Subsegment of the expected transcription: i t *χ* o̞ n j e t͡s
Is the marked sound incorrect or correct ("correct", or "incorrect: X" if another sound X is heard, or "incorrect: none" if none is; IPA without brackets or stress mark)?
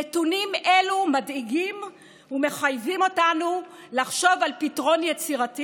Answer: incorrect: ʁ